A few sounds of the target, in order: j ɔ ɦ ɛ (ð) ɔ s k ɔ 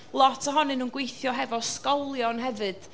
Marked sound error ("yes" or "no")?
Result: yes